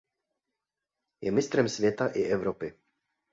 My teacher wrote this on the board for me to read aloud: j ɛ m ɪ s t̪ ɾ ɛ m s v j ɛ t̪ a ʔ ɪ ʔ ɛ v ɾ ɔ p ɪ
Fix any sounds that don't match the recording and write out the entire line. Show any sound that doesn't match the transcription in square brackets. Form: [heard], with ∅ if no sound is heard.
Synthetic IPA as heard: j ɛ m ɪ s t̪ ɾ ɛ m s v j ɛ t̪ a ʔ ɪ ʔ ɛ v ɾ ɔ p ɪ